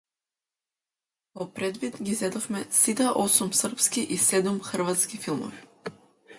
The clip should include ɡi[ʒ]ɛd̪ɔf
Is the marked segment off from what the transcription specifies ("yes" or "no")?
yes